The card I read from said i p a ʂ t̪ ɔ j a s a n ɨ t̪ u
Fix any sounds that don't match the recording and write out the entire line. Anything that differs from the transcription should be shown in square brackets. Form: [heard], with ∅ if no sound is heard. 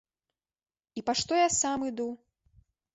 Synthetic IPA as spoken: i p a ʂ t̪ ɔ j a s a [m] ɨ [d̪] u